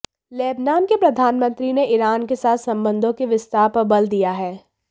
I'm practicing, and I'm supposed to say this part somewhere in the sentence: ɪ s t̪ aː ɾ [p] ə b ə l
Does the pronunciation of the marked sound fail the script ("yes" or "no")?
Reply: no